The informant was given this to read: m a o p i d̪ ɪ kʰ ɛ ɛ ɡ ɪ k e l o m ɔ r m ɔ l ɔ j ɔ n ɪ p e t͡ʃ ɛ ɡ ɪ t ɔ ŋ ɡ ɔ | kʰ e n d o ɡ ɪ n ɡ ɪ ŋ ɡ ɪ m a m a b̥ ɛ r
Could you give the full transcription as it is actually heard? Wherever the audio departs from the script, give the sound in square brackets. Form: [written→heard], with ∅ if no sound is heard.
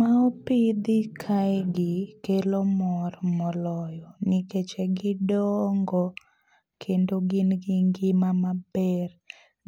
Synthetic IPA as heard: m a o p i d̪ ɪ kʰ [ɛ→a] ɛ ɡ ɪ k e l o m ɔ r m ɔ l ɔ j ɔ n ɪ [p→k] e t͡ʃ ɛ ɡ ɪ [t→d] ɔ ŋ ɡ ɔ | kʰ e n d o ɡ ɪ n ɡ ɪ ŋ ɡ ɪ m a m a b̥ ɛ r